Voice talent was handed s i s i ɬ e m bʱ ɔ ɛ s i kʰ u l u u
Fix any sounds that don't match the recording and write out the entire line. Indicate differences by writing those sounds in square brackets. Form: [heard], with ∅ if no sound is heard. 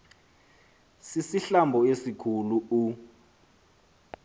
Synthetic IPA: s i s i ɬ [a] m bʱ ɔ [e] s i kʰ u l u u